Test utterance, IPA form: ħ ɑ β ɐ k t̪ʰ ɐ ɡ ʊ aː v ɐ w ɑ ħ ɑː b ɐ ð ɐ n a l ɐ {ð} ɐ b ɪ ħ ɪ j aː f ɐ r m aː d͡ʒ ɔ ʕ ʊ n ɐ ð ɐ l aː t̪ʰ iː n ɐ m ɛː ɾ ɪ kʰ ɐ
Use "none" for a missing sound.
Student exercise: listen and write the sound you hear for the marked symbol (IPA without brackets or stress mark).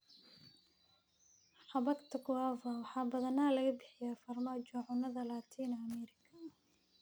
ɣ